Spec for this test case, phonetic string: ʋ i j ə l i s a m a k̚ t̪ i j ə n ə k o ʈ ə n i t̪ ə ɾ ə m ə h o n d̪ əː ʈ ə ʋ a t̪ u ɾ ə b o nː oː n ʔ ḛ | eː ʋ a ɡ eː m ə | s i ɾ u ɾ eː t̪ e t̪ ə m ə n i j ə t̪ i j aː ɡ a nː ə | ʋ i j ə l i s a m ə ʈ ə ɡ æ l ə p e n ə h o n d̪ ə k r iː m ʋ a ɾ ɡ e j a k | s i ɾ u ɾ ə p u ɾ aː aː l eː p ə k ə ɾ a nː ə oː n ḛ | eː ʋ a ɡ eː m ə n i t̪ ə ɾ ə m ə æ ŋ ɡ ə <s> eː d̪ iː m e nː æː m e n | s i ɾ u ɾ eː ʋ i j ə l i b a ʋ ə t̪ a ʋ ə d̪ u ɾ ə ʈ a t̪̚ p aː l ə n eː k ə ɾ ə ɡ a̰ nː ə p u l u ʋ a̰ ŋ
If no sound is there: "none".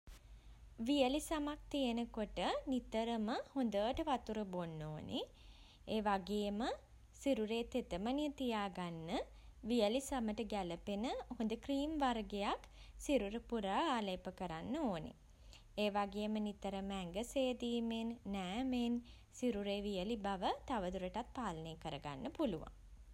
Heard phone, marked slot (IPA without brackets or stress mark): s